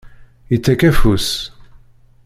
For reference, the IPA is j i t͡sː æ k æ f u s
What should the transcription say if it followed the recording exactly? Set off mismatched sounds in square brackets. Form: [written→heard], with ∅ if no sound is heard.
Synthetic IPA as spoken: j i t͡sː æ k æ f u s